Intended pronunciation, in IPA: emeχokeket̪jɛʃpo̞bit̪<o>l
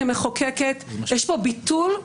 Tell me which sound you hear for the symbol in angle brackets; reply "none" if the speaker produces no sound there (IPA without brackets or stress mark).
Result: u